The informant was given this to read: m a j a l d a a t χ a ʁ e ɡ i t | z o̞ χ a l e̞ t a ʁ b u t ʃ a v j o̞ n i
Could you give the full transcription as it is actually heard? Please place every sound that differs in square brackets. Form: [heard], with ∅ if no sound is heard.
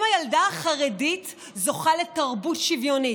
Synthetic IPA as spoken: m a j a l d a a [∅] χ a ʁ e [d] i t | z o̞ χ a l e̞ t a ʁ b u t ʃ [i] v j o̞ n i